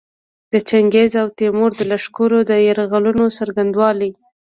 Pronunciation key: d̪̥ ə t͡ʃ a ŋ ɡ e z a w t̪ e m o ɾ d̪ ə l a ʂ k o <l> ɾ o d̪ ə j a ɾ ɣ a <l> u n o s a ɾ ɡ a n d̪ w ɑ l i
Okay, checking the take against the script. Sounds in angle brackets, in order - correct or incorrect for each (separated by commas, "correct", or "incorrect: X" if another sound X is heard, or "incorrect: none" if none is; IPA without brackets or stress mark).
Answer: incorrect: none, correct